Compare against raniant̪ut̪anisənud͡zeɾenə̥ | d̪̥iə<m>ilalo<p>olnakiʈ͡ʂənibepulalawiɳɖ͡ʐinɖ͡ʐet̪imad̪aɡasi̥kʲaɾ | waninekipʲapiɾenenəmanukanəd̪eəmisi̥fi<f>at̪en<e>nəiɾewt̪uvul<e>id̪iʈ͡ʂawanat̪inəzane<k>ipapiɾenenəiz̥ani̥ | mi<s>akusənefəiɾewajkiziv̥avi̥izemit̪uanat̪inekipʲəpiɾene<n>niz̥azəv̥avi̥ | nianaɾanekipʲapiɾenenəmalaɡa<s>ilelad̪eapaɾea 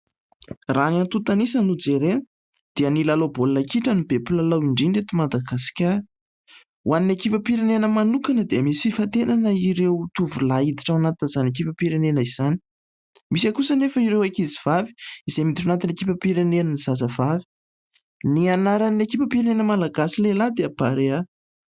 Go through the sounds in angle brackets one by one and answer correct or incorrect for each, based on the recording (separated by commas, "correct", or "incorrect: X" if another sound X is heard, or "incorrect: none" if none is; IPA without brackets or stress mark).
incorrect: n, incorrect: b, correct, incorrect: a, incorrect: a, correct, correct, correct, correct